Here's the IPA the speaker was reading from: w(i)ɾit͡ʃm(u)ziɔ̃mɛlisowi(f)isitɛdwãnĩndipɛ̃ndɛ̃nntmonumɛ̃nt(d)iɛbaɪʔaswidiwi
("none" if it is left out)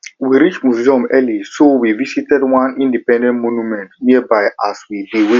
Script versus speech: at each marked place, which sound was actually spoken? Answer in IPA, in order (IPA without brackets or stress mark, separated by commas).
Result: i, u, v, n